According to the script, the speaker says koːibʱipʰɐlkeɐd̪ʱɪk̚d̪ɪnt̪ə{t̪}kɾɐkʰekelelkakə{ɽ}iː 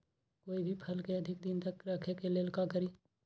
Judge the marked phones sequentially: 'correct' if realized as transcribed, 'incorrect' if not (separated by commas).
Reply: incorrect, incorrect